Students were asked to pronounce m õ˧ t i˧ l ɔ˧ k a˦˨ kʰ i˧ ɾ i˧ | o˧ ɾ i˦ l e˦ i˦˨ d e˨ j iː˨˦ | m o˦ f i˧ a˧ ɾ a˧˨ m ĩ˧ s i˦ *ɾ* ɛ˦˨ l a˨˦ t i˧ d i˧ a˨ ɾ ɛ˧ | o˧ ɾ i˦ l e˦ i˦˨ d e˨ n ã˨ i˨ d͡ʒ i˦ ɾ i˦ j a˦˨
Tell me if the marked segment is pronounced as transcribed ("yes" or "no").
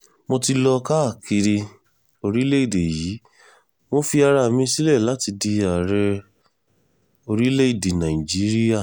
no